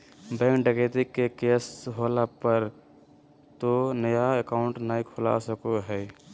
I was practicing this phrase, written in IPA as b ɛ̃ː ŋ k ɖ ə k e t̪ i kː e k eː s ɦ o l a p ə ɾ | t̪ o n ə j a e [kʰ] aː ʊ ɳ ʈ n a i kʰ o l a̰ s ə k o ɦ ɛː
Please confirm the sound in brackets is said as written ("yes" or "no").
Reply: no